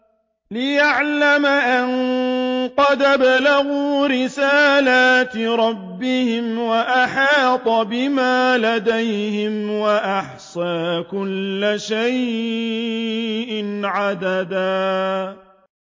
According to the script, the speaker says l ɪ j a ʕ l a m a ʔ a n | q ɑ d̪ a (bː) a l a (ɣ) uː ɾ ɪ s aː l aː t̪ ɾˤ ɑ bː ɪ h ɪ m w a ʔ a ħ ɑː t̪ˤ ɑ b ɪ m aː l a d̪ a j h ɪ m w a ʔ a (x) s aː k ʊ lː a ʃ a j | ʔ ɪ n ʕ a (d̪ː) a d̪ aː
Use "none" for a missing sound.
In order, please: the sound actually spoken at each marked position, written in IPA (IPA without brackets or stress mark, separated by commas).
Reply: b, ɣ, ħ, d̪